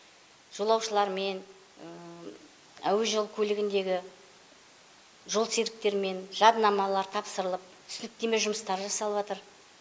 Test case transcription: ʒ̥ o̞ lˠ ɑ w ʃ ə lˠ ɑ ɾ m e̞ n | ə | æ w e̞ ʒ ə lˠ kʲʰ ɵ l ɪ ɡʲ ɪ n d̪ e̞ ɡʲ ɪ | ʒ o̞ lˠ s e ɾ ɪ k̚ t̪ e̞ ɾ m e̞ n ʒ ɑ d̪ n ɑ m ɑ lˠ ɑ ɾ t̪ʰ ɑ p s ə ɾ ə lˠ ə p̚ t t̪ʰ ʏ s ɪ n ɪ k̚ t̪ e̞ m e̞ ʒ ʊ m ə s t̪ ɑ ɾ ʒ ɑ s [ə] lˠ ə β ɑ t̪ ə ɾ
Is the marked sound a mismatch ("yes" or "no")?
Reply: yes